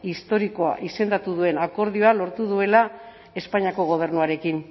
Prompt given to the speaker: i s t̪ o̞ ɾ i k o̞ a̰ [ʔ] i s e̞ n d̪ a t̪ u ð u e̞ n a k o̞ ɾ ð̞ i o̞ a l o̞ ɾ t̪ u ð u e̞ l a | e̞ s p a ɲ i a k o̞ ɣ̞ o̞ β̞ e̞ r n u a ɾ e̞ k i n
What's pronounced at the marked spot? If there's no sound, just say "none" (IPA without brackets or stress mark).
ʔ